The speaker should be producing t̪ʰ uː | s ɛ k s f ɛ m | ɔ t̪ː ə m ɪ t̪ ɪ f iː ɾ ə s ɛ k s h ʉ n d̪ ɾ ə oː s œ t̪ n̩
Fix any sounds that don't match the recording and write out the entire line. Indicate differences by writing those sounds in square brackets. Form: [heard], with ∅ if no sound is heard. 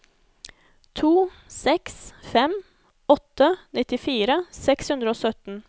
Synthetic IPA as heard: t̪ʰ uː | s ɛ k s f ɛ m | ɔ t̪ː ə [n] ɪ t̪ ɪ f iː ɾ ə s ɛ k s h ʉ n d̪ ɾ ə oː s œ t̪ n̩